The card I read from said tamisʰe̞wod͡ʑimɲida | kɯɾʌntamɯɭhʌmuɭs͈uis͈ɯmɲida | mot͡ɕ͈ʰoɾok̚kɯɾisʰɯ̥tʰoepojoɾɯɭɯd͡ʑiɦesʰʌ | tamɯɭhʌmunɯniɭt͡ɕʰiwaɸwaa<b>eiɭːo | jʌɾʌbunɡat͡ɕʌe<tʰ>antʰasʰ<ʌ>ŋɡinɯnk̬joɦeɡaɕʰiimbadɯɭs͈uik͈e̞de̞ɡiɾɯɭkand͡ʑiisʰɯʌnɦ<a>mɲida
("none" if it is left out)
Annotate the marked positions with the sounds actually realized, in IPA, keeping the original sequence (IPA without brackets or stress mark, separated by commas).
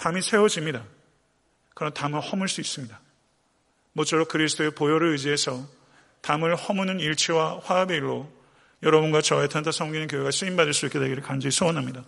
b, tʰ, ʌ, a